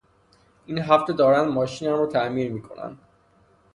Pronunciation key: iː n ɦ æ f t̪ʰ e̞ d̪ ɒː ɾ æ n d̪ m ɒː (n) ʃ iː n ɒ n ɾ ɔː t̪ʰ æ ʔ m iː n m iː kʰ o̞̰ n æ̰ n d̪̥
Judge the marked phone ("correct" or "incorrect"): incorrect